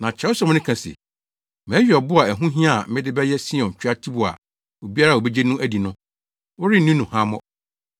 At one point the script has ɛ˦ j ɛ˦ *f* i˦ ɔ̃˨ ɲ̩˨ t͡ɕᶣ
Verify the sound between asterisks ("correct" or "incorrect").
incorrect